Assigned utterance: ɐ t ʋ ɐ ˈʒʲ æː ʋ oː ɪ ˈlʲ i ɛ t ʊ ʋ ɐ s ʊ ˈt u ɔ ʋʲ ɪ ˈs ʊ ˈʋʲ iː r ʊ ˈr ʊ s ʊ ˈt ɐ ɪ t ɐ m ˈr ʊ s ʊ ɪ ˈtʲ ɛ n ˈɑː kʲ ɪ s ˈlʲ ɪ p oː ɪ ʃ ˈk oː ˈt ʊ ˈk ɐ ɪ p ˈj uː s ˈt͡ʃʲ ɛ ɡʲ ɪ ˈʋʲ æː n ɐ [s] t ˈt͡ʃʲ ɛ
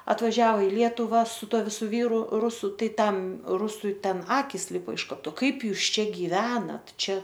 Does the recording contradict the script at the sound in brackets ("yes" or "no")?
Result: yes